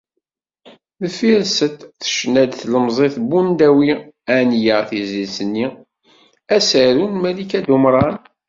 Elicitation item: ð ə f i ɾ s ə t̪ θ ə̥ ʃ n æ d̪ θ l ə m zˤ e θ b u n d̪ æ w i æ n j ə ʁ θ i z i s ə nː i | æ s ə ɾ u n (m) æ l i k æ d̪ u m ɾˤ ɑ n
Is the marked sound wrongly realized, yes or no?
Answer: no